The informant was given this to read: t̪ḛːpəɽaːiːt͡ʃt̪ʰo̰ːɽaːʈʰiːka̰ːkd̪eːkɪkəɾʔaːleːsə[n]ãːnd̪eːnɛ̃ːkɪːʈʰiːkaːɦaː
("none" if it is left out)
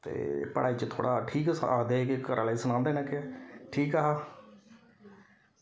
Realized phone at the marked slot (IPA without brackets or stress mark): n